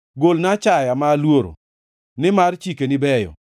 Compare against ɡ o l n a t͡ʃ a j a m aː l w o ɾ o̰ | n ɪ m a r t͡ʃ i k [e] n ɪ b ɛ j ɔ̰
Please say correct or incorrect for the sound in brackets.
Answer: correct